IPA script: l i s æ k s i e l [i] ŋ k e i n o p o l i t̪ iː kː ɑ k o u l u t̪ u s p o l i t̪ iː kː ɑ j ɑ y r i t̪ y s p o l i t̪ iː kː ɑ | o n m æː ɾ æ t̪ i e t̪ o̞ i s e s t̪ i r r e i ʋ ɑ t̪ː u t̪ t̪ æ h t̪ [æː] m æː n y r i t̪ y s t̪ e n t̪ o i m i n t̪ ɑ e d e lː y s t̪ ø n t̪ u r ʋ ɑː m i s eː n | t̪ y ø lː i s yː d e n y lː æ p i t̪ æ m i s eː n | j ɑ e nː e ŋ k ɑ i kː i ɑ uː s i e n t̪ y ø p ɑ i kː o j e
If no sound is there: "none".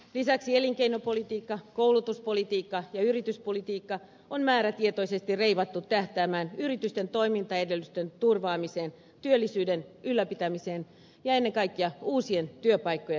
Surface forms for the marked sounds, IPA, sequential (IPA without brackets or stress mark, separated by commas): i, æː